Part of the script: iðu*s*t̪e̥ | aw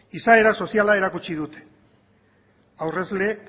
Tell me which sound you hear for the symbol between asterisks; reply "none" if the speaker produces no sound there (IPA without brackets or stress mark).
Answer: none